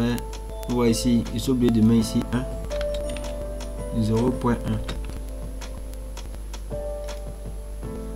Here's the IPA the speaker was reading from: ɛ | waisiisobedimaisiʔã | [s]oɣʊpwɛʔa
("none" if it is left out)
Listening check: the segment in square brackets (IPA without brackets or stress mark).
z